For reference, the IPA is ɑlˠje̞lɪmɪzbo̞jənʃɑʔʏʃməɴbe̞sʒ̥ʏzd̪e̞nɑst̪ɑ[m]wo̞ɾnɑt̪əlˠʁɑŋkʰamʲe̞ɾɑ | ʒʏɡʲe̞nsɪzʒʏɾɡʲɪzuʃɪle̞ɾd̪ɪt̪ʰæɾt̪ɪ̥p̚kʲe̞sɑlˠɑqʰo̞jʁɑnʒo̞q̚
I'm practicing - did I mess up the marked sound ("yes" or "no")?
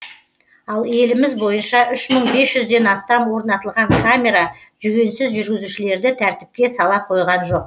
no